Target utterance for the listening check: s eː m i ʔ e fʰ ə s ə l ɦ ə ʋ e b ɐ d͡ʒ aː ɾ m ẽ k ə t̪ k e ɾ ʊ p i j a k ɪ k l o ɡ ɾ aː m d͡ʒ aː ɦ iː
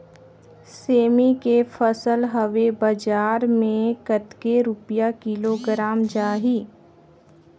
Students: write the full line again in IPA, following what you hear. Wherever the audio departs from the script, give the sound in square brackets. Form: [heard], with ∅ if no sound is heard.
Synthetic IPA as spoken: s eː m i [k] e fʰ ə s ə l ɦ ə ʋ e b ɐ d͡ʒ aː ɾ m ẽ k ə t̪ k e ɾ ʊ p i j a k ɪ [∅] l o ɡ ɾ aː m d͡ʒ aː ɦ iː